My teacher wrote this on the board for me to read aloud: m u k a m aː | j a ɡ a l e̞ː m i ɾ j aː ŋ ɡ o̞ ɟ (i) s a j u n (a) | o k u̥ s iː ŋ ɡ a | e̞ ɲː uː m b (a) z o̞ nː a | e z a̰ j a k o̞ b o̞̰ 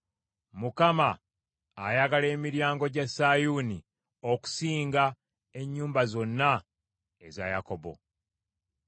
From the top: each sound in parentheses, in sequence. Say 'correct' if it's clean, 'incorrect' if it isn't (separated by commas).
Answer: incorrect, incorrect, correct